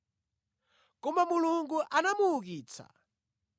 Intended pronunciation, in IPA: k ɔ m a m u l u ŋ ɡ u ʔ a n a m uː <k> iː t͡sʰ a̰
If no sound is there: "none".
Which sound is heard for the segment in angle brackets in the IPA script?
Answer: k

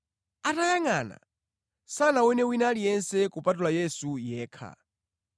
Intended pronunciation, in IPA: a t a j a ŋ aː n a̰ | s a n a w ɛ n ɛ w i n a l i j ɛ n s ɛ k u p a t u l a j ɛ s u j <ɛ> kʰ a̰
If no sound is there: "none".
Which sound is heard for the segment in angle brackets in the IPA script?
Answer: ɛː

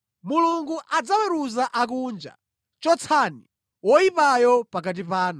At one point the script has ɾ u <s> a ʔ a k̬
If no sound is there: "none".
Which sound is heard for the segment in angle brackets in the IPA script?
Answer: z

